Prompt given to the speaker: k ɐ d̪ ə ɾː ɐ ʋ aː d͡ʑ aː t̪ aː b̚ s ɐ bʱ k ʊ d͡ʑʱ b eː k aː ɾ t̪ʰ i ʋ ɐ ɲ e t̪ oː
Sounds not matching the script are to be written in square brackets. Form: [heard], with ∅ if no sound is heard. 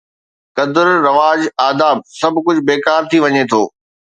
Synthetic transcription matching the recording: k ɐ d̪ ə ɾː ɐ ʋ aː d͡ʑ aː [d̪] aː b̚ s ɐ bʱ k ʊ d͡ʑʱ b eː k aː ɾ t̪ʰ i ʋ ɐ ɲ e [t̪ʰ] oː